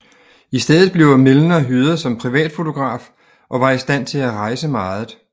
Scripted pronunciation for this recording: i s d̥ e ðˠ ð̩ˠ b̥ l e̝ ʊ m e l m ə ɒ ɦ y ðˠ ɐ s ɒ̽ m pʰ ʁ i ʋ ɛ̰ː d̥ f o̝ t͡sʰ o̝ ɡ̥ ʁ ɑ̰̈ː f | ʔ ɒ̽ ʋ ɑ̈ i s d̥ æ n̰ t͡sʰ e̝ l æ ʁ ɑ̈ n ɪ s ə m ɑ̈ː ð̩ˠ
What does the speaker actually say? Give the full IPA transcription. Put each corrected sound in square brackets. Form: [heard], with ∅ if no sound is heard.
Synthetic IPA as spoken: i s d̥ e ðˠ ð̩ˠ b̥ l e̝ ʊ m e l [n] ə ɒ ɦ y ðˠ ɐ s ɒ̽ m pʰ ʁ i ʋ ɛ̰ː d̥ f o̝ t͡sʰ o̝ ɡ̥ ʁ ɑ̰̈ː f | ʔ ɒ̽ ʋ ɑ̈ i s d̥ æ n̰ t͡sʰ e̝ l æ ʁ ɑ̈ [∅] ɪ s ə m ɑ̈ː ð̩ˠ